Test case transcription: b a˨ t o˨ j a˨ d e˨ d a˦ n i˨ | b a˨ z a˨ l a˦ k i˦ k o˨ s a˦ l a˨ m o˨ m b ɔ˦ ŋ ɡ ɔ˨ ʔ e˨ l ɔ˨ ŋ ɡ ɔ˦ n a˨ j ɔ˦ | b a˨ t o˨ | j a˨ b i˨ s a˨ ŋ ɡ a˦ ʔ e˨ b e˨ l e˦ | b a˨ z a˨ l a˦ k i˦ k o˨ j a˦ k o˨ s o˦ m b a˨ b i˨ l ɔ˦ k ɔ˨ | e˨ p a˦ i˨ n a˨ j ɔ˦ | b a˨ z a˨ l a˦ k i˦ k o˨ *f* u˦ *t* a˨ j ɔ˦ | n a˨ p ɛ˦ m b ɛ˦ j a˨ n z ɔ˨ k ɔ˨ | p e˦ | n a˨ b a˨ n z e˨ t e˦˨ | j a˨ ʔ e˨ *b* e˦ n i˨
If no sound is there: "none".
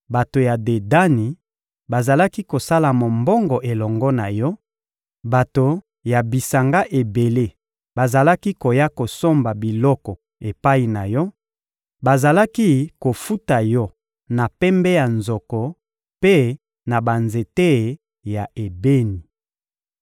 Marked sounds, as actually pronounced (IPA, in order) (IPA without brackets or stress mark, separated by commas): f, t, b